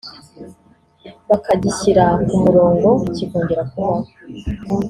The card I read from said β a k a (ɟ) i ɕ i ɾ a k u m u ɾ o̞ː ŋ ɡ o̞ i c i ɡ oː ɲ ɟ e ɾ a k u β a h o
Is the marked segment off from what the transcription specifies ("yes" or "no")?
no